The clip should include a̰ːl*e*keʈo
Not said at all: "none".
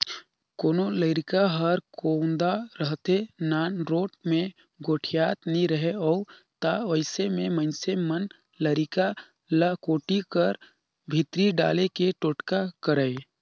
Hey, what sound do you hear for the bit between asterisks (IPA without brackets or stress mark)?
e